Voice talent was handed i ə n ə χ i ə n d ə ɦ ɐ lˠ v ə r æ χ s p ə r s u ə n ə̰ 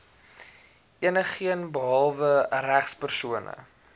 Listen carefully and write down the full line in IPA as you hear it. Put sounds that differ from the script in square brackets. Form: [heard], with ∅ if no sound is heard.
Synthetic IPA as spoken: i ə n ə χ i ə n [b] ə ɦ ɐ lˠ v ə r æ χ s p ə r s u ə n ə̰